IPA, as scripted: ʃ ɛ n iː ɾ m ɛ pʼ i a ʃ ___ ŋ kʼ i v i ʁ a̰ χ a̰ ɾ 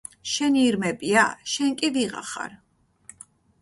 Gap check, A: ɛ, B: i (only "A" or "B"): A